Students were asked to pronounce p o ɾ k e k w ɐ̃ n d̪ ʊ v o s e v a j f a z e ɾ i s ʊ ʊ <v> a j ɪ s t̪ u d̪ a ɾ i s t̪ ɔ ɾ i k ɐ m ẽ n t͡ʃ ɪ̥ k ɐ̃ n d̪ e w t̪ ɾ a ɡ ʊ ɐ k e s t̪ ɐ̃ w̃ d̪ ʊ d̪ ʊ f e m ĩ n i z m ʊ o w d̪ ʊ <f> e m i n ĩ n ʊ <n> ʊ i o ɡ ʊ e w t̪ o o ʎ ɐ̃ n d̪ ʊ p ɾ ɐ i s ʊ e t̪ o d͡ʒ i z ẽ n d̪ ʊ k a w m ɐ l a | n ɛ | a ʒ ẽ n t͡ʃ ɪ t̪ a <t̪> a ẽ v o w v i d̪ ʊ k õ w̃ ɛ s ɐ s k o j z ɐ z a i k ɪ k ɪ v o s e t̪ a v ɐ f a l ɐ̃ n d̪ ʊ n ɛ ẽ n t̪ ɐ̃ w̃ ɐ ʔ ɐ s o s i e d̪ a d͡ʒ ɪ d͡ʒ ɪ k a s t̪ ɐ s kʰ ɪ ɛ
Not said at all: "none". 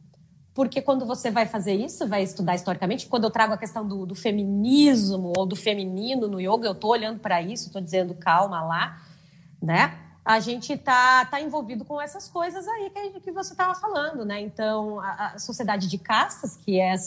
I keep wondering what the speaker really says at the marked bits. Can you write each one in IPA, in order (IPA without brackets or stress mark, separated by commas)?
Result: v, f, n, t̪